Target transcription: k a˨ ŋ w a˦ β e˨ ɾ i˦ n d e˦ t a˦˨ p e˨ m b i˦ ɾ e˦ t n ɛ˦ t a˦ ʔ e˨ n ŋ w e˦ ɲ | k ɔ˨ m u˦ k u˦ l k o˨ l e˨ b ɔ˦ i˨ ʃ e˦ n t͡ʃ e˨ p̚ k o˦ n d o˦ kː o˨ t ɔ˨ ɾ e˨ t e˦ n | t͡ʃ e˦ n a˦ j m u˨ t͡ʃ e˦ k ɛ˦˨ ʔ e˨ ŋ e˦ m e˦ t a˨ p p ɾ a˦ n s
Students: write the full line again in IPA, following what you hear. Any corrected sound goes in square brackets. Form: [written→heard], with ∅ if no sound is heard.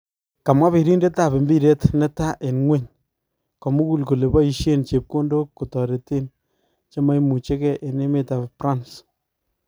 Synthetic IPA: k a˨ [ŋ→m] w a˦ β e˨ ɾ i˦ n d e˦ t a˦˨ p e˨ m b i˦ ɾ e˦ t n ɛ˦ t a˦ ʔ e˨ n ŋ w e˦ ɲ | k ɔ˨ m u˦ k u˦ l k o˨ l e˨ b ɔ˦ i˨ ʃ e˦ n t͡ʃ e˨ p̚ k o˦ n d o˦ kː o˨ t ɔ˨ ɾ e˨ t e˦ n | t͡ʃ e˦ [n→m] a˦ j m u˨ t͡ʃ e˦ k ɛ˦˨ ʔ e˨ [ŋ→n] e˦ m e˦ t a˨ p p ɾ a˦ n s